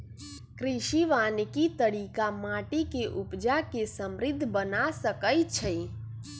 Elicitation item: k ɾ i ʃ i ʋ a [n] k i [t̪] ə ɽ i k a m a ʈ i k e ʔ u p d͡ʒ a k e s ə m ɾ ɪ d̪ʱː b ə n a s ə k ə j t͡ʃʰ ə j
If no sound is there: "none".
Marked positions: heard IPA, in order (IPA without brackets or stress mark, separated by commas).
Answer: n, t̪